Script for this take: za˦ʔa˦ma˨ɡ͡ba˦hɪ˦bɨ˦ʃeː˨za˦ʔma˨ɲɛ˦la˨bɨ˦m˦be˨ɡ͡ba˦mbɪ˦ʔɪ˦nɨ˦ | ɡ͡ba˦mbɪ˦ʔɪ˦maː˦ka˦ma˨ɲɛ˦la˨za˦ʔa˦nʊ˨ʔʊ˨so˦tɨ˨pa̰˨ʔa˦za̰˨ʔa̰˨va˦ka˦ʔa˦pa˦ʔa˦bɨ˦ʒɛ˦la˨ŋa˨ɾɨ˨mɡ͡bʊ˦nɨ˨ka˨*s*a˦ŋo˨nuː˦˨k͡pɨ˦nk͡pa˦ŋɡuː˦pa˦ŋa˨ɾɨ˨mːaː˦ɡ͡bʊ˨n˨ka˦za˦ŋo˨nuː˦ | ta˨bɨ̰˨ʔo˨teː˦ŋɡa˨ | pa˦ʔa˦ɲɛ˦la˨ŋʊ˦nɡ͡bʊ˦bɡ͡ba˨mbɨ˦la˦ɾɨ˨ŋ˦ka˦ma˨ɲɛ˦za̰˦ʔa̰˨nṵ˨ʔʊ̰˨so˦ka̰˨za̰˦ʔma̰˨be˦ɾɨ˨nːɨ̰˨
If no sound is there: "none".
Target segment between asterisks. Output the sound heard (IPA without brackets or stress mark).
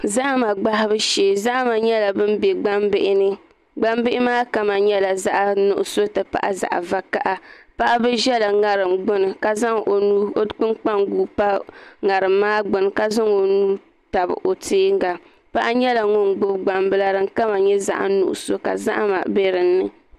z